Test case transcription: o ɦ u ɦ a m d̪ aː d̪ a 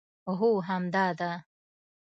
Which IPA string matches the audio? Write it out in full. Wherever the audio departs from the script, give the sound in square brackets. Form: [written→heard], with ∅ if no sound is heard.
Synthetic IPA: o ɦ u ɦ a m d̪ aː d̪ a